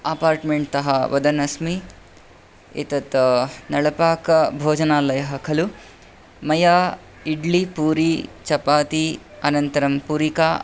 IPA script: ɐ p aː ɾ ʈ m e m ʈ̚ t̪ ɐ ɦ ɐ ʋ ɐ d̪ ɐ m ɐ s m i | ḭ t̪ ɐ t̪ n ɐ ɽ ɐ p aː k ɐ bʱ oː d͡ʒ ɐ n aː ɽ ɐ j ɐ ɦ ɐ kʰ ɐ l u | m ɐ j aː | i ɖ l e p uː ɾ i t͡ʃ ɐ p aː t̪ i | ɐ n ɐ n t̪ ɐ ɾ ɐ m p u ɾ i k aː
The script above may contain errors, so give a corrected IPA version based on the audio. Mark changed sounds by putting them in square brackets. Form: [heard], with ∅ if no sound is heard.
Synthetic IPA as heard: ɐ p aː ɾ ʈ m e [ɳ] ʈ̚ t̪ ɐ ɦ ɐ ʋ ɐ d̪ ɐ [n] ɐ s m i | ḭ t̪ ɐ t̪ n ɐ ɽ ɐ p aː k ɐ bʱ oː d͡ʒ ɐ n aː [l] ɐ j ɐ ɦ ɐ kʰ ɐ l u | m ɐ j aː | i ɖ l [i] p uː ɾ i t͡ʃ ɐ p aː t̪ i | ɐ n ɐ n t̪ ɐ ɾ ɐ m p u ɾ i k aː

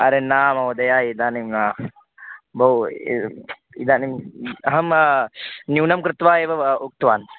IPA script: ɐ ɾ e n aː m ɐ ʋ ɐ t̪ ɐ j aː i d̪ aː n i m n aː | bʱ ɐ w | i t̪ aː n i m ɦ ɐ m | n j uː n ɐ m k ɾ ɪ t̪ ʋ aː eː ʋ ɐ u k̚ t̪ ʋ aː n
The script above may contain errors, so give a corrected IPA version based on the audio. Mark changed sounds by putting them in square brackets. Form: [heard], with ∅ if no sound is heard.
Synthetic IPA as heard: ɐ ɾ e n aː m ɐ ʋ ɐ [d̪] ɐ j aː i d̪ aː n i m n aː | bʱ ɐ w | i [d̪] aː n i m ɦ ɐ m | n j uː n ɐ m k ɾ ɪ t̪ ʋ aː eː ʋ ɐ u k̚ t̪ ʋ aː n

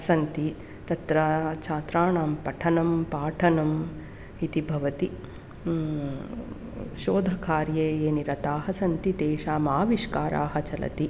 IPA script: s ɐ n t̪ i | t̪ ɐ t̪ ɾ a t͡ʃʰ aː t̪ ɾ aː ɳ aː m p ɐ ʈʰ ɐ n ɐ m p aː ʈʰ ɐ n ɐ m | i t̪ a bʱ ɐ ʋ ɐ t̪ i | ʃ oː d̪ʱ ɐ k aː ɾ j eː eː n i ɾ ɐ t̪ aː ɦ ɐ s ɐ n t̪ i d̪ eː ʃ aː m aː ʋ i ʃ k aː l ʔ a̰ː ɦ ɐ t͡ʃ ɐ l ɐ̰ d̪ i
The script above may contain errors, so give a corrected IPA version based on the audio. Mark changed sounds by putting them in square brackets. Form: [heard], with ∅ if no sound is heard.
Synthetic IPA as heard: s ɐ n t̪ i | t̪ ɐ t̪ ɾ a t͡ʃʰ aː t̪ ɾ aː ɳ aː m p ɐ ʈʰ ɐ n ɐ m p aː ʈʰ ɐ n ɐ m | i t̪ [i] bʱ ɐ ʋ ɐ t̪ i | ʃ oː d̪ʱ ɐ k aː ɾ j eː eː n i ɾ ɐ t̪ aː ɦ ɐ s ɐ n t̪ i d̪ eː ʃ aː m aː ʋ i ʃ k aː [ɾ] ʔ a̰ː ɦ ɐ t͡ʃ ɐ l ɐ̰ [t̪] i

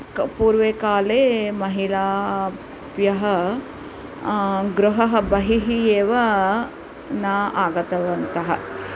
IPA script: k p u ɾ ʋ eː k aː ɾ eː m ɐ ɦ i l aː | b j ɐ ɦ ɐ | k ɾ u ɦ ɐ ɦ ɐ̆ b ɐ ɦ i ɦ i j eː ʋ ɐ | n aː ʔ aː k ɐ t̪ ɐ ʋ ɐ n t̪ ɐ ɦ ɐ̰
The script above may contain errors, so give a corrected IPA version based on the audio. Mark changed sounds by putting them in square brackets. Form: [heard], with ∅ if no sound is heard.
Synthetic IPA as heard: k p [uː] ɾ ʋ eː k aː [l] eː m ɐ ɦ i l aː | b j ɐ ɦ ɐ | [ɡ] ɾ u ɦ ɐ ɦ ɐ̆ b ɐ ɦ i ɦ i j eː ʋ ɐ | n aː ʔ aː [ɡ] ɐ t̪ ɐ ʋ ɐ n t̪ ɐ ɦ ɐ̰

